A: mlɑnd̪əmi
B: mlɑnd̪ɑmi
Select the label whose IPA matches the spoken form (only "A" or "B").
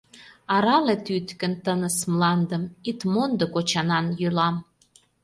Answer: A